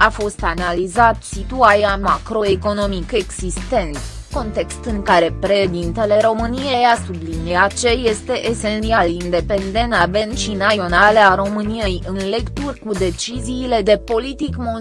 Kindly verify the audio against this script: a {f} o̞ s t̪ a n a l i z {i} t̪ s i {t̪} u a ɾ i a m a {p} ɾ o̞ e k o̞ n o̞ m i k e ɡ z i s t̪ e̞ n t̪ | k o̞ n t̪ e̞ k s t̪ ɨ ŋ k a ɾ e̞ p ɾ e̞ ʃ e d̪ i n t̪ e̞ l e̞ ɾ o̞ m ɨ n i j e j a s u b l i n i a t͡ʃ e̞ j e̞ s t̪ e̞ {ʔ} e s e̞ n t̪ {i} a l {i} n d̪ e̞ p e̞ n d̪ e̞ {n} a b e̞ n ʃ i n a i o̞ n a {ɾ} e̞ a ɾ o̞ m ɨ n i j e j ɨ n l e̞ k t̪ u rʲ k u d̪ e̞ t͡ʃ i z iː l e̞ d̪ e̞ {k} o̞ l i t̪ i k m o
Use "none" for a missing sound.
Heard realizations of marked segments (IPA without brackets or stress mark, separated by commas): f, a, t̪, k, ʔ, i, i, n, l, p